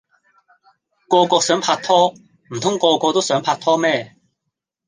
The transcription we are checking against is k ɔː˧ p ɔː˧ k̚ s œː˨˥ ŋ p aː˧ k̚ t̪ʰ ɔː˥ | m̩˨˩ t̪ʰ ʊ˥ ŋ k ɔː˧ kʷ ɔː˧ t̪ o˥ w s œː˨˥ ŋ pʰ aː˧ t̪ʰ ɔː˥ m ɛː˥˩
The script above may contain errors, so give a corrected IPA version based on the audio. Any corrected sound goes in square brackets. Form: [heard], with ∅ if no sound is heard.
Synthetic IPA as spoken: k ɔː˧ [k] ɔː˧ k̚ s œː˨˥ ŋ [pʰ] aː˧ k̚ t̪ʰ ɔː˥ | m̩˨˩ t̪ʰ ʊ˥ ŋ k ɔː˧ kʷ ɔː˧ t̪ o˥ w s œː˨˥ ŋ pʰ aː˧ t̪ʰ ɔː˥ m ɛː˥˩